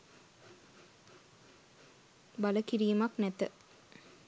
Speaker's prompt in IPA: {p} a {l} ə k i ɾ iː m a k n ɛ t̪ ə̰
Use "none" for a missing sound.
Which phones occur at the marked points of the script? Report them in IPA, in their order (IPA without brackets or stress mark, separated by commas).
b, l